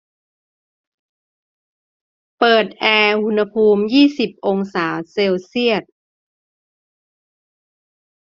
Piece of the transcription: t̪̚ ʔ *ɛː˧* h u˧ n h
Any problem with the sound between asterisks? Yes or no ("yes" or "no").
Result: no